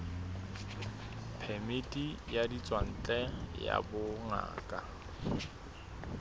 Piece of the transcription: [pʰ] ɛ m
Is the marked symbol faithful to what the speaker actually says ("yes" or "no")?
yes